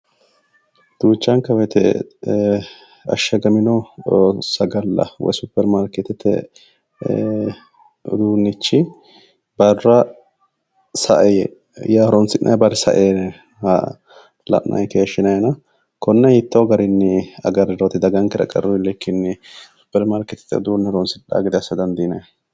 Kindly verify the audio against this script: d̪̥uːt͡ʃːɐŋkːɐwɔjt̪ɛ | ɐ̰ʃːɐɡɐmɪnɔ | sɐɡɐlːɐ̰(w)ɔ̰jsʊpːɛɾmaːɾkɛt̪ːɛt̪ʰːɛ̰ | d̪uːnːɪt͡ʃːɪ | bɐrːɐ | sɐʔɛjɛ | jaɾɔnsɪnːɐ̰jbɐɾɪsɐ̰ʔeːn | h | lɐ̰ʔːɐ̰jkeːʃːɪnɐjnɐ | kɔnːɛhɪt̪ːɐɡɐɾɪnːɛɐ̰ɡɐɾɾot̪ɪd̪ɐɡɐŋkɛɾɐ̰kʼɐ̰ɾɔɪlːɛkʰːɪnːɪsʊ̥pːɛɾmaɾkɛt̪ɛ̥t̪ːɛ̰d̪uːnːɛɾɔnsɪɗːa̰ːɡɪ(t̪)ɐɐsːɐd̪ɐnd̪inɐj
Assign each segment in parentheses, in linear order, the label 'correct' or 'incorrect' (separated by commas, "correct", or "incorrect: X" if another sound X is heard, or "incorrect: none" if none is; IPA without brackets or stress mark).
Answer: correct, incorrect: d̪